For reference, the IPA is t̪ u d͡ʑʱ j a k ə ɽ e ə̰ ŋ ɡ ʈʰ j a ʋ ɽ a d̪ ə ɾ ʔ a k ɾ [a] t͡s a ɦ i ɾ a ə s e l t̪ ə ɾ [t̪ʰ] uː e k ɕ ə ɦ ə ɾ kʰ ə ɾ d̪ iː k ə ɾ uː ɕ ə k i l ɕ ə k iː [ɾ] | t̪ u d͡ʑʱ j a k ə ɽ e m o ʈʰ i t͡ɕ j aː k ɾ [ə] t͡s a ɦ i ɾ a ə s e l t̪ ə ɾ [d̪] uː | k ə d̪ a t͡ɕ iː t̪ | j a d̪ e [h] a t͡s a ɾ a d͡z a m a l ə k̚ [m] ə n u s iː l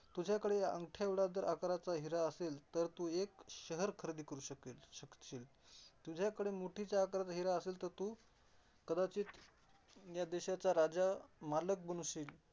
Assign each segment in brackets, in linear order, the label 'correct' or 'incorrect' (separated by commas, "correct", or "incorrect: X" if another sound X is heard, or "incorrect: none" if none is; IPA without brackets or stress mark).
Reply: correct, incorrect: t̪, incorrect: l, incorrect: a, incorrect: t̪, incorrect: ɕ, incorrect: b